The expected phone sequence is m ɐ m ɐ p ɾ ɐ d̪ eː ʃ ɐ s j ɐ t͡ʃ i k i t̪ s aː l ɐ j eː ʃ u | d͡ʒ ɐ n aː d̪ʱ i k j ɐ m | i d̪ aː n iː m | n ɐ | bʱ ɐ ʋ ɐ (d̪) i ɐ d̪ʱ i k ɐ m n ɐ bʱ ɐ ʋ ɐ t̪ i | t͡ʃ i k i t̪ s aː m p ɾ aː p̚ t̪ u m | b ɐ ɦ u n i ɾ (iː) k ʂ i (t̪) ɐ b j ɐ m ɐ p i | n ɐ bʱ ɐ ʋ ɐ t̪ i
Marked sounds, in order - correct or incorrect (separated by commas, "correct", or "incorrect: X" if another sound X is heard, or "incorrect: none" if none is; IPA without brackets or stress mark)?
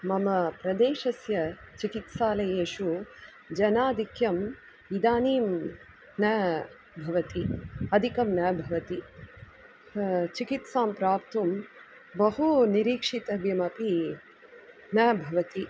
incorrect: t̪, correct, correct